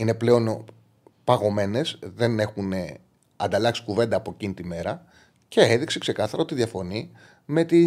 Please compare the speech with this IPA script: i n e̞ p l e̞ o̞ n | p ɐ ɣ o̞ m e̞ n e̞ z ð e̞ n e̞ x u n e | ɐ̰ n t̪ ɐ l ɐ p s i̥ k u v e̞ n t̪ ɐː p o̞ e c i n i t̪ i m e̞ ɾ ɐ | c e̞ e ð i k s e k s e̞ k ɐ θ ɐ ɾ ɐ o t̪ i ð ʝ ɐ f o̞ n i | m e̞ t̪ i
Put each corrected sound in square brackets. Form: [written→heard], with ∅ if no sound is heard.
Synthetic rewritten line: i n e̞ p l e̞ o̞ n | p ɐ ɣ o̞ m e̞ n e̞ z ð e̞ n e̞ x u n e | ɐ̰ n [t̪→d̪] ɐ l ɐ [p→k] s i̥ k u v e̞ n [t̪→d̪] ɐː p o̞ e c i n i t̪ i m e̞ ɾ ɐ | c e̞ e ð i k s e k s e̞ k ɐ θ ɐ ɾ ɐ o t̪ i ð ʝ ɐ f o̞ n i | m e̞ t̪ i